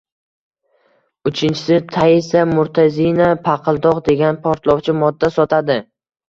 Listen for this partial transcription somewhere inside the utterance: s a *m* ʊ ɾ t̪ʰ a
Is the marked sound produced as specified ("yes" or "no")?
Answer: yes